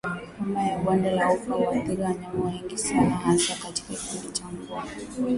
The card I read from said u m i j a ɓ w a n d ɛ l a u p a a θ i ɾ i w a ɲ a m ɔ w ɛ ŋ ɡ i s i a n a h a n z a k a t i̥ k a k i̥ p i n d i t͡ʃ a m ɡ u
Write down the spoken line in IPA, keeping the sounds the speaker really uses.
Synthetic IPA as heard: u m a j a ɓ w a n d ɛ l a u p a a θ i ɾ i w a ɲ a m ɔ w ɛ ŋ ɡ i s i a n a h a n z a k a t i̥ k a k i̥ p i n d i t͡ʃ a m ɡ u